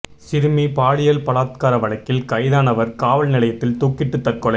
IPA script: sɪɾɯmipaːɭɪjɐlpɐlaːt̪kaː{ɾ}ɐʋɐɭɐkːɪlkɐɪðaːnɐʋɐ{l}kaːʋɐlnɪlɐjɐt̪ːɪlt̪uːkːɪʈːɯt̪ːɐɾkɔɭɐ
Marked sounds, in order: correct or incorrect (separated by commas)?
correct, incorrect